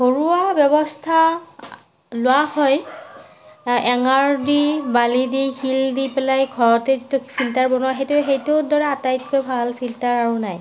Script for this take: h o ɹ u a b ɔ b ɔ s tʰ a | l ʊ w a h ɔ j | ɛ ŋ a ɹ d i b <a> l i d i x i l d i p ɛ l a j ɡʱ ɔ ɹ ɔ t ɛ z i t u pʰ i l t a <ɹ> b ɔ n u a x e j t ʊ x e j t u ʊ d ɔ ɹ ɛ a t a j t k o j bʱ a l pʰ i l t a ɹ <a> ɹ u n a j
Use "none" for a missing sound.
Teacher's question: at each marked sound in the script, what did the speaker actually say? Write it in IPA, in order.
a, ɹ, a

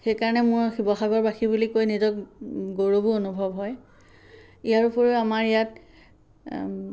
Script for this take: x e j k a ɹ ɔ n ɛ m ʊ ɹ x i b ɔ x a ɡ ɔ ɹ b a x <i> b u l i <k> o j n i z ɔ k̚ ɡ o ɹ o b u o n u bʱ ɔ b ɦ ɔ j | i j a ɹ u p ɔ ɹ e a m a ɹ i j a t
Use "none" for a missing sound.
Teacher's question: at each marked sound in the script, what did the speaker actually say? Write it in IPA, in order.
i, k

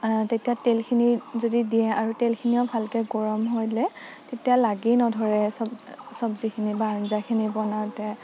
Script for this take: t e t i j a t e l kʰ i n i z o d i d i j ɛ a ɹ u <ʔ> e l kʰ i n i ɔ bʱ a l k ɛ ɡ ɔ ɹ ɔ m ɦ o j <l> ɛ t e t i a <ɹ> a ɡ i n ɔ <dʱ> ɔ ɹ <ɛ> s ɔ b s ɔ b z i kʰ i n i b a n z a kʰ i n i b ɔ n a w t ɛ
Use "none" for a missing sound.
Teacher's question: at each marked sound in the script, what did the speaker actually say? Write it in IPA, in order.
t, l, l, dʱ, ɛ

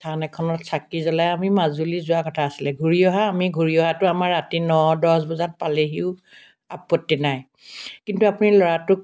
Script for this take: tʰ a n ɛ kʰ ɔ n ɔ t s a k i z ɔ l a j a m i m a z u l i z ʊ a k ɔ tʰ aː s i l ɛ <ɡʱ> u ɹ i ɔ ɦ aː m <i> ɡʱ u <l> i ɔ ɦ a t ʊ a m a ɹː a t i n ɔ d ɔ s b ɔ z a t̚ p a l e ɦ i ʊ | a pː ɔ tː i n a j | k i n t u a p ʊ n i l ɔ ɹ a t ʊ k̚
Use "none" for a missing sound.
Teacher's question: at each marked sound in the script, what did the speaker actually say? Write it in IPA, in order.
ɡʱ, i, ɹ

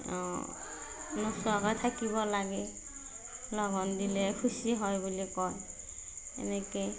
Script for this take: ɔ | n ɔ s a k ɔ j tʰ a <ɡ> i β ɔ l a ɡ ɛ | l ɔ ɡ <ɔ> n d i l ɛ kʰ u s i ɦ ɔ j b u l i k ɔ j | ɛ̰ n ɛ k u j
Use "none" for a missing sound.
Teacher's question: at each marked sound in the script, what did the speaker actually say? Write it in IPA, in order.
k, ɔ

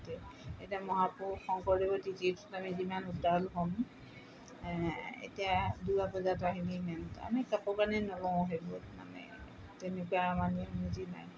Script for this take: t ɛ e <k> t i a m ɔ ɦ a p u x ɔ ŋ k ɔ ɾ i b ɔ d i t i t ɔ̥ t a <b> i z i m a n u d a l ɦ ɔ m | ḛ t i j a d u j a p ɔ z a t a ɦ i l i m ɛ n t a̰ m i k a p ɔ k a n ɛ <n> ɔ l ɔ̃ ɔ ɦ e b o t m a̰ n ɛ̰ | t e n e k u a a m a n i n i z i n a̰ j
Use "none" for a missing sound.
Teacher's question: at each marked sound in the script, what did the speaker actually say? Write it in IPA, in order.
none, m, n

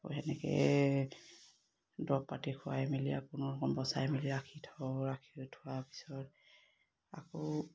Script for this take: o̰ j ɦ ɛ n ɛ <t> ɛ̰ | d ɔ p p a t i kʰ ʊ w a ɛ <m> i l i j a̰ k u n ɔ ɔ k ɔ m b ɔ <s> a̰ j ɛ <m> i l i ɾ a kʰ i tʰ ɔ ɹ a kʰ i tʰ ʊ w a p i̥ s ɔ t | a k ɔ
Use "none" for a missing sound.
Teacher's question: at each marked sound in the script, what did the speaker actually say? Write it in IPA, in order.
k, m, s, m

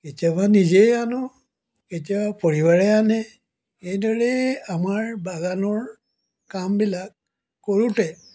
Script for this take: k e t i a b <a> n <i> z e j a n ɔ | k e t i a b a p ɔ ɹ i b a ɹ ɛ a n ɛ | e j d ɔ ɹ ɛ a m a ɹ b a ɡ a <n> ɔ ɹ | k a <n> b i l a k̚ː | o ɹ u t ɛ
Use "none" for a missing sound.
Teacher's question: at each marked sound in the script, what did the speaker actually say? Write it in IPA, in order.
a, i, n, m

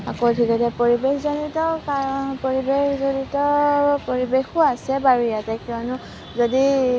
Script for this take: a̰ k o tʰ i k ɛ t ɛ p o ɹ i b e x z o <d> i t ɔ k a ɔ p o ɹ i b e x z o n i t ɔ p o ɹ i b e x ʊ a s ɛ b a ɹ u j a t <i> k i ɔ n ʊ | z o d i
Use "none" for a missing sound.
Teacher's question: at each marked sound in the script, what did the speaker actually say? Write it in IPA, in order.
n, ɛ

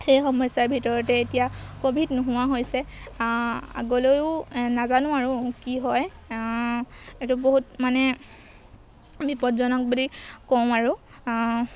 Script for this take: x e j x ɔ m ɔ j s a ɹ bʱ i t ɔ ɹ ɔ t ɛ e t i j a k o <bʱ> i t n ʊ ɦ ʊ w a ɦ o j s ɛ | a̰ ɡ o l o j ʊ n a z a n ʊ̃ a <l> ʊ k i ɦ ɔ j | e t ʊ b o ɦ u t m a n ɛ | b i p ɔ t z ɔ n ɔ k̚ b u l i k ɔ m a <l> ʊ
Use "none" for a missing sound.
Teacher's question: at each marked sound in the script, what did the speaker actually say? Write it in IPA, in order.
bʱ, ɹ, ɹ

